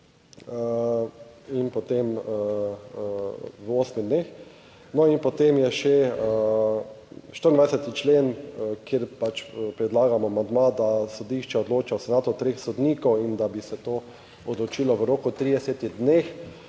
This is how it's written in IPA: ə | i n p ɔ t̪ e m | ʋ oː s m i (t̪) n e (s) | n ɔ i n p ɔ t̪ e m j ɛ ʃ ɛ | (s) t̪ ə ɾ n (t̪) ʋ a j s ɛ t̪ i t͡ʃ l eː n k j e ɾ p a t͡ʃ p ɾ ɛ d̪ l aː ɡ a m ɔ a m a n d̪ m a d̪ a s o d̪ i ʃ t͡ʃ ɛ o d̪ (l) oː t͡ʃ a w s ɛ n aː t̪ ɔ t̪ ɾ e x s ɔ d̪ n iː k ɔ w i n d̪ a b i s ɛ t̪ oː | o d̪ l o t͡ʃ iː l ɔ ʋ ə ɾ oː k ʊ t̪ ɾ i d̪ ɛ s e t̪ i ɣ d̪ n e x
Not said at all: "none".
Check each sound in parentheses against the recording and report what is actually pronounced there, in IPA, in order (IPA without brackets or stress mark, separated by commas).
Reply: d̪, x, ʃ, d̪, l